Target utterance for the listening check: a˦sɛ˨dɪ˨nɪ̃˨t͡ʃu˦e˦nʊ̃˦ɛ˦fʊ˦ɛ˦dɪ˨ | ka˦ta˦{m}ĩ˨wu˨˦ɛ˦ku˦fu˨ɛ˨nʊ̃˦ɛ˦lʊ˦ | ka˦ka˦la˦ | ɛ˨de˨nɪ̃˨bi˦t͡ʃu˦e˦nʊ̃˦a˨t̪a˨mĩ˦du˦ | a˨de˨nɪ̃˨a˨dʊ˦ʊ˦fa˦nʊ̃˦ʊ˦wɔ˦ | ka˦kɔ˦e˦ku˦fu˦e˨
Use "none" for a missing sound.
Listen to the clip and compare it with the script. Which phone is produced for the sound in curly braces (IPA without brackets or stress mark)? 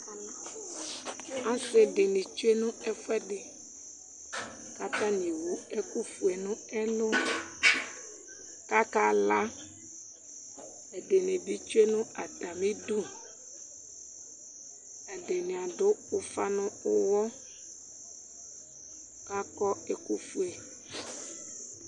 n